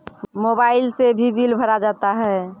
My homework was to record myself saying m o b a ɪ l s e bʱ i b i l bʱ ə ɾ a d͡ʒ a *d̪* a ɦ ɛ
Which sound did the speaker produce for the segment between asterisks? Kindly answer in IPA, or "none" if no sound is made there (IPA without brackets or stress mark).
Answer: t̪